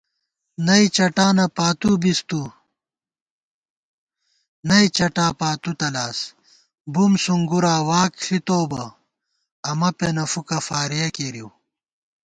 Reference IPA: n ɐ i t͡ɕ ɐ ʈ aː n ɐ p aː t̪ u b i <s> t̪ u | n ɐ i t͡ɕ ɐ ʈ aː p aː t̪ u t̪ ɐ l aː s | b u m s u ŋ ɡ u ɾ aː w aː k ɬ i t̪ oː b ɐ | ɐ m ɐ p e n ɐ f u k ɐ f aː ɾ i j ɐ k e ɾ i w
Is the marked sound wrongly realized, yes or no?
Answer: no